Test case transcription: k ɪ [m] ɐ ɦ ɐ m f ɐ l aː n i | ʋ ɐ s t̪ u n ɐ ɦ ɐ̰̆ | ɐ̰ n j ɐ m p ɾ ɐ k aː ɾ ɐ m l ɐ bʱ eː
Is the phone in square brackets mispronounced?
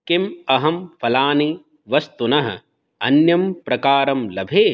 no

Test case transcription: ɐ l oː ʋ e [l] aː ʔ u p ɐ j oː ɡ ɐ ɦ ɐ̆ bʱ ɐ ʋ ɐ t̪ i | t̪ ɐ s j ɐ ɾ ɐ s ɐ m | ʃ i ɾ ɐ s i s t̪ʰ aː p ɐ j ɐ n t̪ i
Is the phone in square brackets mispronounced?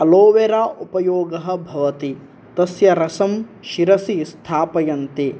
yes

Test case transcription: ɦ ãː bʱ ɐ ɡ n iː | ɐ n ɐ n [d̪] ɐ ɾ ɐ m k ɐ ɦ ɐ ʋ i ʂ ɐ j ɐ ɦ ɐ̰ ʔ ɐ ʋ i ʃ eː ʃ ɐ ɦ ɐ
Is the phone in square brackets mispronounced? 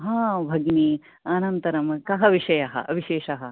yes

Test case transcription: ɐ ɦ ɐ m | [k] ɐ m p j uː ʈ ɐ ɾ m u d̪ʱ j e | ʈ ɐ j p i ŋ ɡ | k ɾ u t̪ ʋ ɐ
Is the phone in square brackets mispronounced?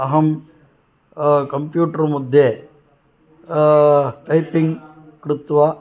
no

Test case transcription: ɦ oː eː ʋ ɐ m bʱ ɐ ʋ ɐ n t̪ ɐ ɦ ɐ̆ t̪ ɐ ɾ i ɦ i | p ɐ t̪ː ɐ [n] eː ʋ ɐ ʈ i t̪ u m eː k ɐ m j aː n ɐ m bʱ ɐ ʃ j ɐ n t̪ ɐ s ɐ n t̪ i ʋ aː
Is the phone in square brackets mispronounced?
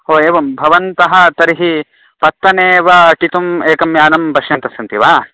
no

